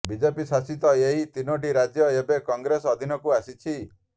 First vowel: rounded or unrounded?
unrounded